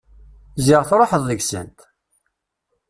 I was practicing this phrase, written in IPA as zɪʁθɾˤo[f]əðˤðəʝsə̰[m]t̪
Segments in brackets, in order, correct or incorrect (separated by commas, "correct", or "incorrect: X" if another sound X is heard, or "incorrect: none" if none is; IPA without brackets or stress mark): incorrect: ħ, incorrect: n